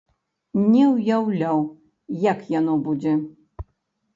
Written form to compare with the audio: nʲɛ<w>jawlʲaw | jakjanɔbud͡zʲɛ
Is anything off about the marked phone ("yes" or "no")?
no